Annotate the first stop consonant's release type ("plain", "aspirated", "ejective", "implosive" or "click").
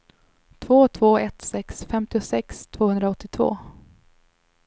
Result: aspirated